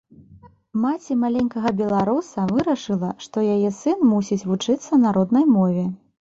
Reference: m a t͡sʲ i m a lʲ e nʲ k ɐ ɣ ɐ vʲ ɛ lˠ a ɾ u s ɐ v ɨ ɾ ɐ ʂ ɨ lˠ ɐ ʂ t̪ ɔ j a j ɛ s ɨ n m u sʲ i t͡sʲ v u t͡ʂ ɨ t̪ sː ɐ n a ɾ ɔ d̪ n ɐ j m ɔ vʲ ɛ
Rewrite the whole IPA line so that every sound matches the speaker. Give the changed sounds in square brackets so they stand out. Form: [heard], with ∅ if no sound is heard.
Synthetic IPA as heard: m a t͡sʲ i m a lʲ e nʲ k ɐ ɣ ɐ [bʲ] ɛ lˠ a ɾ u s ɐ v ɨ ɾ ɐ ʂ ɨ lˠ ɐ ʂ t̪ ɔ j a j ɛ s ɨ n m u sʲ i t͡sʲ v u t͡ʂ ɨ t̪ sː ɐ n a ɾ ɔ d̪ n ɐ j m ɔ vʲ ɛ